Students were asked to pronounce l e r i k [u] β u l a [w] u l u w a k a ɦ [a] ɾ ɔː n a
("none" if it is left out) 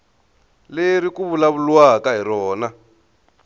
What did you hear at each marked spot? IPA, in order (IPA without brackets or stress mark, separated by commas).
u, β, i